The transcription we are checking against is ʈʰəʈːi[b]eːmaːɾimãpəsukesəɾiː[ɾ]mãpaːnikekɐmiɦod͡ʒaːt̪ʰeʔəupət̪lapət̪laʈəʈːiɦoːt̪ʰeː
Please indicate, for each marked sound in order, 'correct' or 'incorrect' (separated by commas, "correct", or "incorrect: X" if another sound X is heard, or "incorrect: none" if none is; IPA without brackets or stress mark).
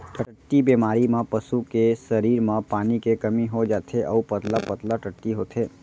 correct, correct